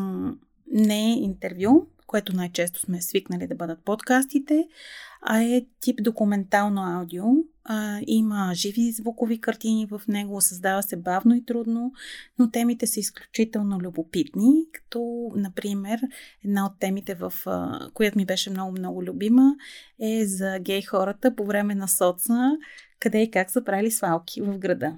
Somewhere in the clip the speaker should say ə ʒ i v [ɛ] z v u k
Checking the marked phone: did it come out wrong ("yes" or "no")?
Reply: yes